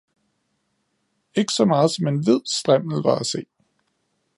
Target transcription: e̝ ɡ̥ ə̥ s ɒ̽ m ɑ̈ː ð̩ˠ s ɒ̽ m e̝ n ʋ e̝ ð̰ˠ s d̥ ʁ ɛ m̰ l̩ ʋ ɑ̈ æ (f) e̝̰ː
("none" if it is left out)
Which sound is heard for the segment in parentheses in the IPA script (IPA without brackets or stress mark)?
s